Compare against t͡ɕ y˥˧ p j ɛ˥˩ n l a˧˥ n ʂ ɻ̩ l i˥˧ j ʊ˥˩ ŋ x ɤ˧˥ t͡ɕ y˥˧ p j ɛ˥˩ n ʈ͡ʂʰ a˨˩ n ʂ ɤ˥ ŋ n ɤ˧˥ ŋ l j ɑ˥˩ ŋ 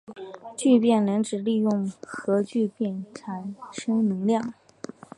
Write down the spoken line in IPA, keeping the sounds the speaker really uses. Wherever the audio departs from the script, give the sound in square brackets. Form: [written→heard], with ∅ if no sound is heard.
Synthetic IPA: t͡ɕ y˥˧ p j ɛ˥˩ n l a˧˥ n [ʂ→ʈ͡ʂ] ɻ̩ l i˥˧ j ʊ˥˩ ŋ x ɤ˧˥ t͡ɕ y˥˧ p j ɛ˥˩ n ʈ͡ʂʰ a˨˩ n ʂ ɤ˥ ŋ n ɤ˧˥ ŋ l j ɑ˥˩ ŋ